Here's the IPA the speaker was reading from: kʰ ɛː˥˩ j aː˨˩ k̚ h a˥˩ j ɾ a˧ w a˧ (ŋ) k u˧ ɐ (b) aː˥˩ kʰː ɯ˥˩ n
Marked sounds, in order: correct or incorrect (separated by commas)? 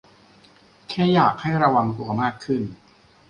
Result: correct, incorrect